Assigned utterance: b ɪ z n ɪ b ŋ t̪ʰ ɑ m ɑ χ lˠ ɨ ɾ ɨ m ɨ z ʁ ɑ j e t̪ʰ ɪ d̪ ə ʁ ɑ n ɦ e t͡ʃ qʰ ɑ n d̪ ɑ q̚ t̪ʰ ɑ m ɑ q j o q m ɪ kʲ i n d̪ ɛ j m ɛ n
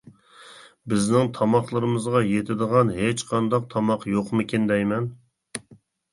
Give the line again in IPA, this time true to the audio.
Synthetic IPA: b ɪ z n ɪ ŋ t̪ʰ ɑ m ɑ χ lˠ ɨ ɾ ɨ m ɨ z ʁ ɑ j e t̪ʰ ɪ d̪ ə ʁ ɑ n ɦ e t͡ʃ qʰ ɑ n d̪ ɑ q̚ t̪ʰ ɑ m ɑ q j o q m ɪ kʲ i n d̪ ɛ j m ɛ n